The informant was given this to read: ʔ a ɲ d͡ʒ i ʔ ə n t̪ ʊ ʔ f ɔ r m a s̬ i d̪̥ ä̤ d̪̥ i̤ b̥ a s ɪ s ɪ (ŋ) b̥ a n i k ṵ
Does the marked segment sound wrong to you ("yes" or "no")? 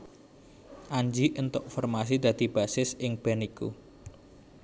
no